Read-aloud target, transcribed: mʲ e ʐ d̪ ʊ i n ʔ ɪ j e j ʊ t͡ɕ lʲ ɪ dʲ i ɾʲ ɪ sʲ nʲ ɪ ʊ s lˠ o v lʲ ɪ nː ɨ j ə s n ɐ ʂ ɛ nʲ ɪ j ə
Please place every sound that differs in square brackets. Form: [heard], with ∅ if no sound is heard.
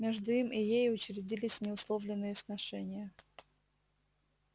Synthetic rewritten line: mʲ e ʐ d̪ ʊ i [m] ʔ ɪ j e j ʊ t͡ɕ [ɾʲ] ɪ dʲ i [lʲ] ɪ sʲ nʲ ɪ ʊ s lˠ o v lʲ ɪ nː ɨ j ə s n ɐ ʂ ɛ nʲ ɪ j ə